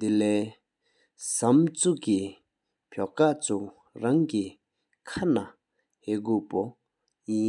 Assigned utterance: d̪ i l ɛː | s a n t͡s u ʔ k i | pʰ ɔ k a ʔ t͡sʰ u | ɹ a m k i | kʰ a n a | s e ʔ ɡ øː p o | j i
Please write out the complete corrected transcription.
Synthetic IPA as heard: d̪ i l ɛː | s a m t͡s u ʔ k i | pʰ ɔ k a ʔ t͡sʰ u | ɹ a ŋ k i | kʰ a n a | h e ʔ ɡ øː p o | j i